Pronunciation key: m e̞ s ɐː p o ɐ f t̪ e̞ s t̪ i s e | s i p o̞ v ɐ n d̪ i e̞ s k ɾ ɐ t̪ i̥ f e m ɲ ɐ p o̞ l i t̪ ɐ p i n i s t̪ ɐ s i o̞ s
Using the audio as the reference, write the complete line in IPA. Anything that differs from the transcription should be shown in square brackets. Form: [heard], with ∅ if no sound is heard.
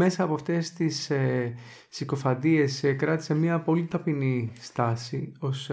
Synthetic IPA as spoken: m e̞ s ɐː p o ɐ f t̪ e̞ s t̪ i s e | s i [k] o̞ [f] ɐ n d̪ i e̞ s k ɾ ɐ t̪ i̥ [s] e m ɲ ɐ p o̞ l i t̪ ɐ p i n i s t̪ ɐ s i o̞ s